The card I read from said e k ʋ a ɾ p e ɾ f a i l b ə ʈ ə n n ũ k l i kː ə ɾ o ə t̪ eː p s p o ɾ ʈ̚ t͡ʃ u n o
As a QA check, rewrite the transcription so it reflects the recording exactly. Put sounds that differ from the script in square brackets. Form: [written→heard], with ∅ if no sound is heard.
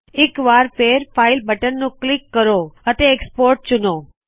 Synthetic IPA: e k ʋ a ɾ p e ɾ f a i l b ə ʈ ə n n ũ k l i kː ə ɾ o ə t̪ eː [p→k] s p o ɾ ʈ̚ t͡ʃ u n o